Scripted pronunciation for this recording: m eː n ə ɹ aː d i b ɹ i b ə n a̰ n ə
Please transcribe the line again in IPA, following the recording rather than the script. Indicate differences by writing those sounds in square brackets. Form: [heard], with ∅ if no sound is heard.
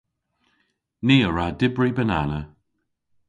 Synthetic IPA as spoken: [n] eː [∅] ə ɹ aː d [ɪ] b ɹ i b ə n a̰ n ə